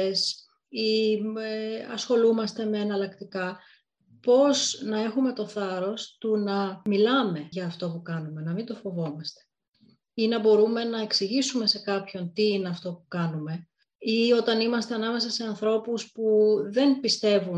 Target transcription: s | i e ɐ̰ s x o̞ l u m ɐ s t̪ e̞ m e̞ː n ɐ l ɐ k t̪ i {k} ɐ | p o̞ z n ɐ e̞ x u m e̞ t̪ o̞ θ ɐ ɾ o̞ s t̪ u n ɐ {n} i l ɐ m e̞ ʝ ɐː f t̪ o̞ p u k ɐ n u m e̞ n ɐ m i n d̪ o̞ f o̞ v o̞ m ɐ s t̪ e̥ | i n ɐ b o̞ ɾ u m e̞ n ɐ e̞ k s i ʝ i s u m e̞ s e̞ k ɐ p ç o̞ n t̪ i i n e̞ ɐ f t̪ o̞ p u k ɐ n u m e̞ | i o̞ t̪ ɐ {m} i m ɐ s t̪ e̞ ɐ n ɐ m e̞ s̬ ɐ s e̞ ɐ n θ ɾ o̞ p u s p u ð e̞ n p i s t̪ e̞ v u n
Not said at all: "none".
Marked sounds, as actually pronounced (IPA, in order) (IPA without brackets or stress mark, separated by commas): k, m, n